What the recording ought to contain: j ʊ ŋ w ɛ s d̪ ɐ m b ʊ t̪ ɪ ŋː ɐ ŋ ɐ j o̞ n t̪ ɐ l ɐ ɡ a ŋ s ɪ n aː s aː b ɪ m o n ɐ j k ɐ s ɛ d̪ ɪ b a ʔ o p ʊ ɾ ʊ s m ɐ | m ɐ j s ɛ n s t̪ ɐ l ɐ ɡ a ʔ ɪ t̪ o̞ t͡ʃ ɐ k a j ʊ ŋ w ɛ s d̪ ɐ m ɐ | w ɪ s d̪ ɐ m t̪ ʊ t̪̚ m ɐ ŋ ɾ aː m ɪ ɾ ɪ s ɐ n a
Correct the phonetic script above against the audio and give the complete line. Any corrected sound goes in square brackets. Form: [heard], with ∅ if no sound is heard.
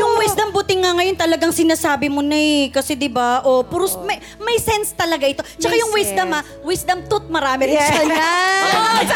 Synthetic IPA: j ʊ ŋ w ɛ s d̪ ɐ m b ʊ t̪ ɪ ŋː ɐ ŋ ɐ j o̞ n t̪ ɐ l ɐ ɡ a ŋ s ɪ n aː s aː b ɪ m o n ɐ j k ɐ s ɛ d̪ ɪ b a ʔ o p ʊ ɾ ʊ s m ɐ | m ɐ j s ɛ n s t̪ ɐ l ɐ ɡ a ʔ ɪ t̪ o̞ t͡ʃ ɐ k a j ʊ ŋ w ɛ s d̪ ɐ m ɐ | w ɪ s d̪ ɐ m t̪ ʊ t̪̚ m ɐ [∅] ɾ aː m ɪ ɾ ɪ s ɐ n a